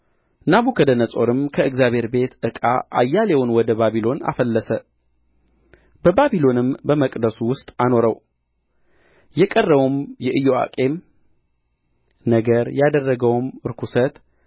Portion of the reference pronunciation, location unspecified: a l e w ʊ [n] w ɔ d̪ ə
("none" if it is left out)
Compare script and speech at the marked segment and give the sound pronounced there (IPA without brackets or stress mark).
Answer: n